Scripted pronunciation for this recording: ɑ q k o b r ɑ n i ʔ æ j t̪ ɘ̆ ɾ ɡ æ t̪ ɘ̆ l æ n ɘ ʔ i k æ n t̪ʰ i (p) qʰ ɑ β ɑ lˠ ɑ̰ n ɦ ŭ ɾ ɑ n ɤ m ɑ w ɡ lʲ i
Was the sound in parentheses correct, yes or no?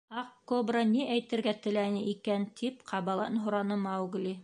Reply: yes